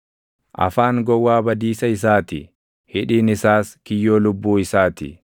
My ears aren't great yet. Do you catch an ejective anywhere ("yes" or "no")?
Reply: no